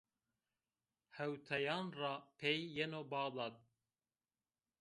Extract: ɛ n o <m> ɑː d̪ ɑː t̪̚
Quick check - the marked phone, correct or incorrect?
incorrect